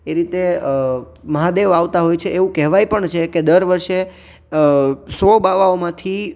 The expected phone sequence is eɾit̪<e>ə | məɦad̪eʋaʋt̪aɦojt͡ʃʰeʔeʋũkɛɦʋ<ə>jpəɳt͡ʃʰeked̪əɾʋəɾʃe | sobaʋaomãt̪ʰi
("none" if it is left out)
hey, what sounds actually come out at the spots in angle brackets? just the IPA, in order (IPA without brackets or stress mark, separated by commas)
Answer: e, a